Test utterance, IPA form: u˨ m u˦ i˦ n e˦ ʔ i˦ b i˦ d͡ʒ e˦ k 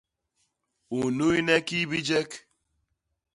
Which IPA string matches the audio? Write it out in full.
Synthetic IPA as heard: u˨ n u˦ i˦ n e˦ k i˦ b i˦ d͡ʒ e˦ k

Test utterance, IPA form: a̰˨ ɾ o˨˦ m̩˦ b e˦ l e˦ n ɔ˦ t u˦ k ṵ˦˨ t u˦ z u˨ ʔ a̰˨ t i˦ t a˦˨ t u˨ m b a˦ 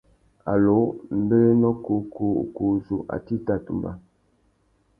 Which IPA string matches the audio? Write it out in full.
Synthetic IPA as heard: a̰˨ l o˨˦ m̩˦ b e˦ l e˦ n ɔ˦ k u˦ k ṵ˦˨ k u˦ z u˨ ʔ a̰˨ t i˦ t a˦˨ t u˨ m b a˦

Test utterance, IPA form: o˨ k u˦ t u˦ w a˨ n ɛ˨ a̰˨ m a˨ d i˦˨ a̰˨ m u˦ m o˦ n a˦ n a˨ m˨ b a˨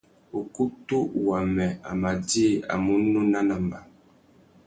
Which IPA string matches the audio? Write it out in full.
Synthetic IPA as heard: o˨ k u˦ t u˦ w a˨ m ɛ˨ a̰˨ m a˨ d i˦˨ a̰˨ m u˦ n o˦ n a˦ n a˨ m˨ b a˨

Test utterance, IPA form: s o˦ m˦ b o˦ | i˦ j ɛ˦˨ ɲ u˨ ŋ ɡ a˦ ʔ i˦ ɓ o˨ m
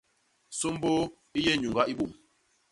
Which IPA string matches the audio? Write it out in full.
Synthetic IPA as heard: s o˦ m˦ b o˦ | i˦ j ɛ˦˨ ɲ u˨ ŋ ɡ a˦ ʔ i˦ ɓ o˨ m

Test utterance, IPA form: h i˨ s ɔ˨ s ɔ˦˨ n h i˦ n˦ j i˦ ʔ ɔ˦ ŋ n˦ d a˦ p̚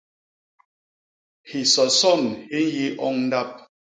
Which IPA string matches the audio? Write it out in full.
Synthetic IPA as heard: h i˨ s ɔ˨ s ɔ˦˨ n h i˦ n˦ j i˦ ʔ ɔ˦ ŋ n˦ d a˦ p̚

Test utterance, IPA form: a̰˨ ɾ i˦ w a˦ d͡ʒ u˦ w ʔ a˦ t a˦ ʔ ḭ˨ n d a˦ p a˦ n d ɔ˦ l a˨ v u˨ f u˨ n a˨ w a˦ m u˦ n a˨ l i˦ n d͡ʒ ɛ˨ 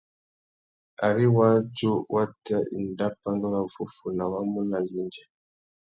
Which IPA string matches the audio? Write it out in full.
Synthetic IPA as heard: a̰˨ ɾ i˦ w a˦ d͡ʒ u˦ w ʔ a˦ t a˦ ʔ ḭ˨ n d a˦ p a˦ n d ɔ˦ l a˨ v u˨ f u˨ n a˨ w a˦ m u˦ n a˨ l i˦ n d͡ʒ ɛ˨

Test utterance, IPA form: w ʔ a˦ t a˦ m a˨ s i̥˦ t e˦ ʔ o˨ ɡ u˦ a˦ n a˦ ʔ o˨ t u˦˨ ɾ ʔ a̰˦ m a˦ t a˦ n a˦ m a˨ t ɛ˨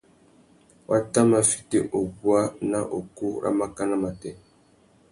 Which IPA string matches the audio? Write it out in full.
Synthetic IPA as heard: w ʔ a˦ t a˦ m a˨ f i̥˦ t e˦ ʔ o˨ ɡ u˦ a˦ n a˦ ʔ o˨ k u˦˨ ɾ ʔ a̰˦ m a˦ k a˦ n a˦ m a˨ t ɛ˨

